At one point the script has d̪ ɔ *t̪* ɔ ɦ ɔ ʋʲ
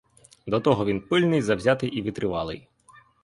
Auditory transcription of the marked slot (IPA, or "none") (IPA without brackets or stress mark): t̪